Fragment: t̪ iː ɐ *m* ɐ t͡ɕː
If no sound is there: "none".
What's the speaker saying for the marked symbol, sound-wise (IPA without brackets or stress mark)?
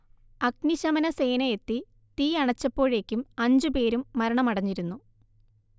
ɳ